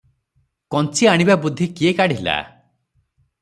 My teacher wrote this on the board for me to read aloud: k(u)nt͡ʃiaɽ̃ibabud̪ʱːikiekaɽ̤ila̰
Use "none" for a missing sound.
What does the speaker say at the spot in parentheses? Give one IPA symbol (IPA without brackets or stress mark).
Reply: ɔ